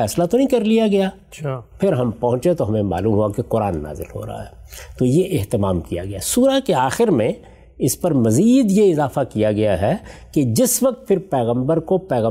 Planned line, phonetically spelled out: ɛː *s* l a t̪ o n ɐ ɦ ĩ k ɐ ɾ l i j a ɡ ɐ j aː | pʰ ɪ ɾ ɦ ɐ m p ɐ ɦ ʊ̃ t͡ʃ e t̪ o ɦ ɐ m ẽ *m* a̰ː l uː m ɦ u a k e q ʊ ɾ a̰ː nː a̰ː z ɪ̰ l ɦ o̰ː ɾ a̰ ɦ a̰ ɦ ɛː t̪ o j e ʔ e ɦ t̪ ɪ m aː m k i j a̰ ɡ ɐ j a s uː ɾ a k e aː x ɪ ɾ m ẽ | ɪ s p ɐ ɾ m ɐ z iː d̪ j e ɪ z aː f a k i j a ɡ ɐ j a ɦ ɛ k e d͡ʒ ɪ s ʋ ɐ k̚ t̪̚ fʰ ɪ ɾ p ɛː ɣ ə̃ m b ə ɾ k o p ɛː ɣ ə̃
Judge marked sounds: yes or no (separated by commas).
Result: yes, yes